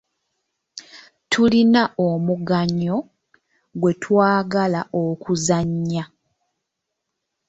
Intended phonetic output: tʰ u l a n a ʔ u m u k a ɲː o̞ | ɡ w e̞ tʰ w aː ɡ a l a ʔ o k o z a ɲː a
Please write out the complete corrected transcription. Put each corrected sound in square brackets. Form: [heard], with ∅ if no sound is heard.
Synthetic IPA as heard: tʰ u l [i] n a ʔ [o] m u [ɡ] a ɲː o̞ | ɡ w e̞ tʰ w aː ɡ a l a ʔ o k [u] z a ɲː a